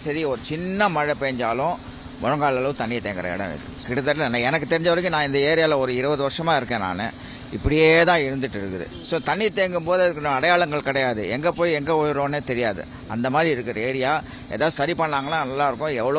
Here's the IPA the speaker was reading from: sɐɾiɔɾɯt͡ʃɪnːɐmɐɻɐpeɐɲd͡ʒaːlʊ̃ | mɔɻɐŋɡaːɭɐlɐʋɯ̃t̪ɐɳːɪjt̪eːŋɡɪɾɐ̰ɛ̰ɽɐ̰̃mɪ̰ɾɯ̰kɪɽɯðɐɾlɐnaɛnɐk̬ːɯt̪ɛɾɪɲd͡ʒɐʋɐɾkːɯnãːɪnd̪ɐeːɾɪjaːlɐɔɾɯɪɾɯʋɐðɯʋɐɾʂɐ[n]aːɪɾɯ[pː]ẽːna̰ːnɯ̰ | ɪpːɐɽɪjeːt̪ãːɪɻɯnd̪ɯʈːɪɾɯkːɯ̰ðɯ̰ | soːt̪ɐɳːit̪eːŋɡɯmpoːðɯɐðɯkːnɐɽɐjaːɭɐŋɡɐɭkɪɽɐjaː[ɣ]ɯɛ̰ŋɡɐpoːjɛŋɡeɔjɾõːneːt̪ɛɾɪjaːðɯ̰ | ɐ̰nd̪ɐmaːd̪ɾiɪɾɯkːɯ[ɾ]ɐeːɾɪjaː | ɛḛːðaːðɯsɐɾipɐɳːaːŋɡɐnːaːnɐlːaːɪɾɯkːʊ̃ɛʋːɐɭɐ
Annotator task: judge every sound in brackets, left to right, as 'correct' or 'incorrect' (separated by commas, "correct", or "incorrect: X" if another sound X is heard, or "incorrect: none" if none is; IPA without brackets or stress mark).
incorrect: m, incorrect: kː, incorrect: ð, correct